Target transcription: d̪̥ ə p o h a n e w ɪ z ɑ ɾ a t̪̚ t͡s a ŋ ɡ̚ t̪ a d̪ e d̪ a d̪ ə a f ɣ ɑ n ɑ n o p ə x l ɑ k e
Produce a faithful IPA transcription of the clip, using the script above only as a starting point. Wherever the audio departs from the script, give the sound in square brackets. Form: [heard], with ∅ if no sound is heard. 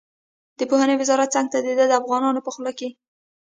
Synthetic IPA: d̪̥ ə p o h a n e w ɪ z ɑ ɾ a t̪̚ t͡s a ŋ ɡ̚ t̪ a d̪ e d̪ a d̪ ə a f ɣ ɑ n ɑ n o p ə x l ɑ k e